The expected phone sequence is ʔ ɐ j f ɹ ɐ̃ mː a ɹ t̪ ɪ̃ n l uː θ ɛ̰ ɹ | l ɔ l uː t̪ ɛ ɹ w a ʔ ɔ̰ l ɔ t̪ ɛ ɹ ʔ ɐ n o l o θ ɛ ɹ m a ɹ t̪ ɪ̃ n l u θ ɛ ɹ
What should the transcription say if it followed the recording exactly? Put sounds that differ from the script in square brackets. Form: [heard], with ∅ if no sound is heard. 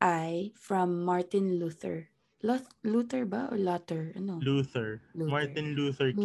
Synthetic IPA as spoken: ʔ [a] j f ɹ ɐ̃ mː a ɹ t̪ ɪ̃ n l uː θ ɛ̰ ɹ | l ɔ l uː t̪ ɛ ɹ [b] a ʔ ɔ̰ l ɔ t̪ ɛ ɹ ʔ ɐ n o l [u] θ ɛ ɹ m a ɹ t̪ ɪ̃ n l u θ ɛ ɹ